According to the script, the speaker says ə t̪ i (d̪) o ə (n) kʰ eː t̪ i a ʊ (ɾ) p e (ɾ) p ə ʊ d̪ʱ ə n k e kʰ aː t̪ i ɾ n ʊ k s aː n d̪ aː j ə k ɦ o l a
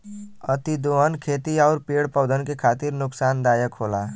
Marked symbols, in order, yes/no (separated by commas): yes, yes, yes, no